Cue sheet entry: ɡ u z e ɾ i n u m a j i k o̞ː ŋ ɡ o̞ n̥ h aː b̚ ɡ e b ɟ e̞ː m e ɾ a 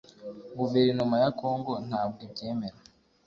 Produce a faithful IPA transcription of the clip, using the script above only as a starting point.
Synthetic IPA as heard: ɡ u v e ɾ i n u m a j a k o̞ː ŋ ɡ o̞ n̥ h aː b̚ ɡ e b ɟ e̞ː m e ɾ a